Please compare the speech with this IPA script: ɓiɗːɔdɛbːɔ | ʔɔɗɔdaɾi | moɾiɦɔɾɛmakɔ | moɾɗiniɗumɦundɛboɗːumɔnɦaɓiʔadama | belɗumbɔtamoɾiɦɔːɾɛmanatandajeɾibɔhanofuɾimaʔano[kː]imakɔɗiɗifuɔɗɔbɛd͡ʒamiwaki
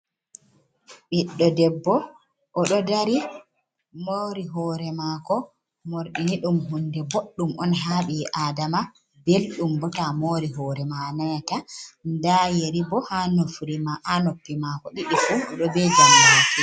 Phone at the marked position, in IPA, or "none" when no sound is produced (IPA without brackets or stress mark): pː